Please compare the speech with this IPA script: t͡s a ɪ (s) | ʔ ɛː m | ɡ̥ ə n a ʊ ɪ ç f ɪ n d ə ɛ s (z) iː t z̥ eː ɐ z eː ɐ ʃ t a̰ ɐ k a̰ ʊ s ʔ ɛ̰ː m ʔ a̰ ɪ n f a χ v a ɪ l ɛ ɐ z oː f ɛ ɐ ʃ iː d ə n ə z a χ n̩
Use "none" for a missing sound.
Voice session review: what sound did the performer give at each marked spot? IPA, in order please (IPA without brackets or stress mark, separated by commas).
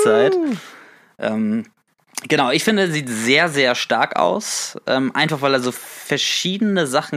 t, z